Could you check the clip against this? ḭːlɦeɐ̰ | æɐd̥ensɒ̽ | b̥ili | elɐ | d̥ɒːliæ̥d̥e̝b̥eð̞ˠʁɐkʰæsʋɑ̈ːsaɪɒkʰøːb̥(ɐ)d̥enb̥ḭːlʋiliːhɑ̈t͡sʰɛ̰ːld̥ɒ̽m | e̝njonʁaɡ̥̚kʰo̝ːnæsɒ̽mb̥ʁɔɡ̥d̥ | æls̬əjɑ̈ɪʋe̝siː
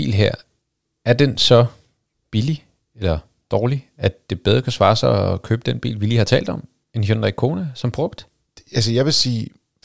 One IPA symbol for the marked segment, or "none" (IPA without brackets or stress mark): ə